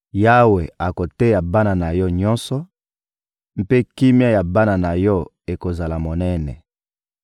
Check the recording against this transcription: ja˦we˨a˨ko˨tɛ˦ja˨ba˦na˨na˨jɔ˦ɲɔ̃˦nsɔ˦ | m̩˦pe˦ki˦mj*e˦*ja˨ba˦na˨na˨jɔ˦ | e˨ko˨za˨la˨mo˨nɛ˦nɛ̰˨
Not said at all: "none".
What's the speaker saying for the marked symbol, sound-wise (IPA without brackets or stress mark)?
a˦